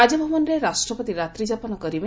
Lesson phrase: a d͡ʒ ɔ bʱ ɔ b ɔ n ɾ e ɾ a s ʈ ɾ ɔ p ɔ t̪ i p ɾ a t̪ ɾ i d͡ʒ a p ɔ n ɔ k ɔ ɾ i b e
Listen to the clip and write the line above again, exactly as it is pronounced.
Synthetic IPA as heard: a d͡ʒ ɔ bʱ ɔ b ɔ n ɾ e ɾ a s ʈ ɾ ɔ p ɔ t̪ i ɾ a t̪ ɾ i d͡ʒ a p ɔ n ɔ k ɔ ɾ i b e